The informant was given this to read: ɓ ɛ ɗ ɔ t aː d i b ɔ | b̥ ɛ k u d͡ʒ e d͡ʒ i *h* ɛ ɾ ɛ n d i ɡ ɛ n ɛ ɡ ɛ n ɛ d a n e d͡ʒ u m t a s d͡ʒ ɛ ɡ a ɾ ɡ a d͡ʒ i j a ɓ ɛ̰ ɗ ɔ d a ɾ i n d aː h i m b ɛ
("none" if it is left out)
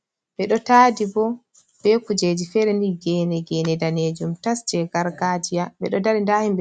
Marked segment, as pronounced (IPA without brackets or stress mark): f